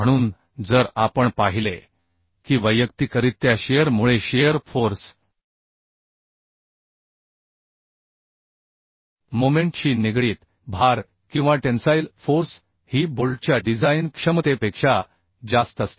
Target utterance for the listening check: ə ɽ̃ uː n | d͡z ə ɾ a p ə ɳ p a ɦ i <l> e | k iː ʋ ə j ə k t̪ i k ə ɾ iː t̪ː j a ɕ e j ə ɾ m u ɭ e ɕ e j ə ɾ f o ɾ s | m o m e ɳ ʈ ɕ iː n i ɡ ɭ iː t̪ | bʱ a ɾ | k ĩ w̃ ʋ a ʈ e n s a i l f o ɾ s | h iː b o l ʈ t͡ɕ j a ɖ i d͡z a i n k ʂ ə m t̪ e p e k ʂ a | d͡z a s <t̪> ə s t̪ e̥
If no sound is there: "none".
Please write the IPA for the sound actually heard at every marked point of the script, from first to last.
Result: l, t̪

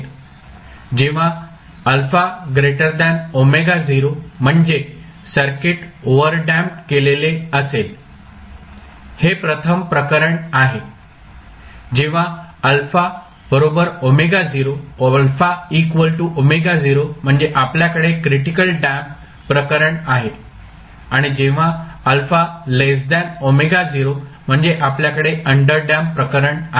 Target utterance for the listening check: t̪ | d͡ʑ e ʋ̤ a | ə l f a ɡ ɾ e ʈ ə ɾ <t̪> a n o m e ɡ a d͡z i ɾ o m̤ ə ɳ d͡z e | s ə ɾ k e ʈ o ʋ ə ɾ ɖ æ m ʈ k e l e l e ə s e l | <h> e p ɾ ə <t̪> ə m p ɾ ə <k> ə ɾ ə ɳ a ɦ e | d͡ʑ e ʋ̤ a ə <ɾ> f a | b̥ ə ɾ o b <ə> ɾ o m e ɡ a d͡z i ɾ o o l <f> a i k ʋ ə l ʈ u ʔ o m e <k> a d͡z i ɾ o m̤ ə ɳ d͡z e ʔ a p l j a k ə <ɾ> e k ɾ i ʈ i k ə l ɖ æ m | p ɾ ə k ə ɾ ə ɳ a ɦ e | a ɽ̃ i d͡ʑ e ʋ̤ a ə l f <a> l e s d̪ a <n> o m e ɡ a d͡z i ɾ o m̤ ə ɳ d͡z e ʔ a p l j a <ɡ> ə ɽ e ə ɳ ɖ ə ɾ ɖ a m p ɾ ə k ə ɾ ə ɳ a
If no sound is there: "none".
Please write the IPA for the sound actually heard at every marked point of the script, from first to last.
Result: d̪, h, t̪ʰ, k, l, ə, f, ɡ, ɽ, a, n, k

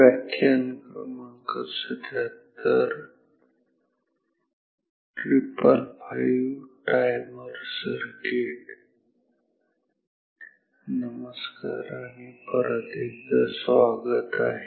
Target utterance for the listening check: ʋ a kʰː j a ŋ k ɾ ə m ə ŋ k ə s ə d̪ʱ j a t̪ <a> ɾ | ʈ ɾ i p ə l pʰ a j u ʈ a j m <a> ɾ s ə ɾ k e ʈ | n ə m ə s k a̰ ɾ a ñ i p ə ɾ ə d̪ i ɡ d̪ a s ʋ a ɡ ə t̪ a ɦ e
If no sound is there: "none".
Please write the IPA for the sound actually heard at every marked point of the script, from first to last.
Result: ə, ə

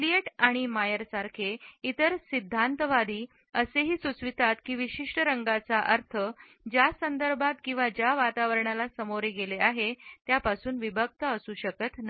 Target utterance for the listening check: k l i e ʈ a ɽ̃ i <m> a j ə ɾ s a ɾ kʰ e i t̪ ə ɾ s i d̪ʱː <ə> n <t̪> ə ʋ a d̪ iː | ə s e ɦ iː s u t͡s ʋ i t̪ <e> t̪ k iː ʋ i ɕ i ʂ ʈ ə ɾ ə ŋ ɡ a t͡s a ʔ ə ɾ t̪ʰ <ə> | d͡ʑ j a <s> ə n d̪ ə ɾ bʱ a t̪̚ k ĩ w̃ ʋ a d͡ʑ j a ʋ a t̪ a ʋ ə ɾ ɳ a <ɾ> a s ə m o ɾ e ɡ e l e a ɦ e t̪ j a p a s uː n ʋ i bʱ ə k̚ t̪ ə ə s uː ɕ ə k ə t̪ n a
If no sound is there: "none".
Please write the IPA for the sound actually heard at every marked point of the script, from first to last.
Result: m, a, t̪, a, ə, s, l

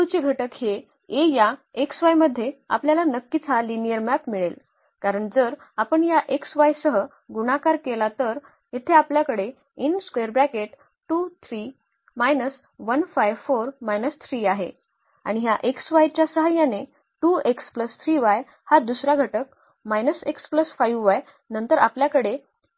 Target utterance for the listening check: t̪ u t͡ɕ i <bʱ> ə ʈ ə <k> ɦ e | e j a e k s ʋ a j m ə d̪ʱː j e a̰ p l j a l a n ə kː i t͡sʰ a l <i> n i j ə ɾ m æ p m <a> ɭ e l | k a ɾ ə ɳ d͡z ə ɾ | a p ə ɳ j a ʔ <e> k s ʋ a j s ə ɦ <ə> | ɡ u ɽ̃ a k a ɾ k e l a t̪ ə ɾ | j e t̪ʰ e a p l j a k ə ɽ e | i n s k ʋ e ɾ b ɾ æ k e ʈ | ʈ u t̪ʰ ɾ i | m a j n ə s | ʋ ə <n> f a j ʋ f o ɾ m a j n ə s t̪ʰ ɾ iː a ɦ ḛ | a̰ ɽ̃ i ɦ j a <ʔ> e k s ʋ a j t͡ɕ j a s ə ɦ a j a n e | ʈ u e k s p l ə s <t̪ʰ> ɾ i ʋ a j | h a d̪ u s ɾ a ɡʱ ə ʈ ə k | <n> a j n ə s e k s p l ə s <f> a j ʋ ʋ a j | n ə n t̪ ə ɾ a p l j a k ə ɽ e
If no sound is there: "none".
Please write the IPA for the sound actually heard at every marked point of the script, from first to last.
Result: ɡʱ, k, i, i, e, ə, n, ʔ, t̪ʰ, m, f

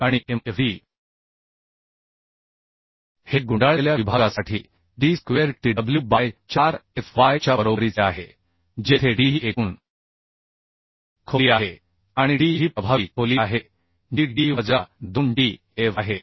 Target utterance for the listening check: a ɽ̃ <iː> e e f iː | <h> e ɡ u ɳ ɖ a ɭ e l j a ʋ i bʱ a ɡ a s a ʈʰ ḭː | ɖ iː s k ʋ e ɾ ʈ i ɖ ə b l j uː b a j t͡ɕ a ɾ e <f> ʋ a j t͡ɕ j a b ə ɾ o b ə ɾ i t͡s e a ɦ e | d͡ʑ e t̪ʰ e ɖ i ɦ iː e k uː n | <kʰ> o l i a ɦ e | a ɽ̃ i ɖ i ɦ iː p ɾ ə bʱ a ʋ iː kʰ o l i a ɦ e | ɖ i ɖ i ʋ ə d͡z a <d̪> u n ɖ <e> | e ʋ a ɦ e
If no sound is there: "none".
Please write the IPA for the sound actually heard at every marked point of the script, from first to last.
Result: i, h, f, kʰ, d̪, i

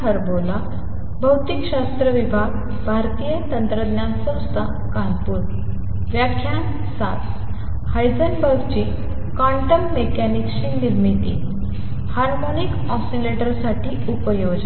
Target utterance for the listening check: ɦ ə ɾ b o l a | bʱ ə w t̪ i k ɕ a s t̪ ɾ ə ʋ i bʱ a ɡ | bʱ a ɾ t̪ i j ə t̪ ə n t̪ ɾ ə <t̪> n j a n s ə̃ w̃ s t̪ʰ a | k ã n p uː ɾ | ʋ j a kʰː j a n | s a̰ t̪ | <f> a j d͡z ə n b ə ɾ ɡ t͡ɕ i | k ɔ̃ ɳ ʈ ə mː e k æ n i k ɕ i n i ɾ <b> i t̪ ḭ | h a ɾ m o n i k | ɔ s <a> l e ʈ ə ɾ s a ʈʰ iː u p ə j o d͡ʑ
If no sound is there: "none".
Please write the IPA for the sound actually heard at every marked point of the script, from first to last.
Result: d̪, h, m, i

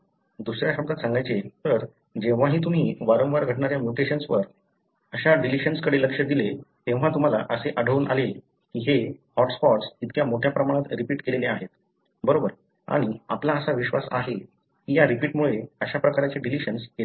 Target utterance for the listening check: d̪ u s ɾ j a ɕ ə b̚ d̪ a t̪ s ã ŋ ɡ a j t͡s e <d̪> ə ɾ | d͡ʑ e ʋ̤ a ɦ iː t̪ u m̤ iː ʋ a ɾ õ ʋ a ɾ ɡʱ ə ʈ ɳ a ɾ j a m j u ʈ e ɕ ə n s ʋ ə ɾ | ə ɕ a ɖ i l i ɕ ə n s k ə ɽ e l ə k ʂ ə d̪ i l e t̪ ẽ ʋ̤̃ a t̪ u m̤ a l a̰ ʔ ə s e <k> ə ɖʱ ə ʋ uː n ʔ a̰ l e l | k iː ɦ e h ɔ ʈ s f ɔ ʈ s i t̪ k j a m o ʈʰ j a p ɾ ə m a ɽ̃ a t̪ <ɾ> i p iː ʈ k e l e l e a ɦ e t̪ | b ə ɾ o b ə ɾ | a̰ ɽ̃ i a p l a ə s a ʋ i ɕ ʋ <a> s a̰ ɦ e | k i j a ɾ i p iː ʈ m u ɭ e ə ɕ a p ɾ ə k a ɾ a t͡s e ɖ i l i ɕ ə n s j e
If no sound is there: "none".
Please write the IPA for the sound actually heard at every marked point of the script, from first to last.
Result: t̪, ʔ, ɾ, a

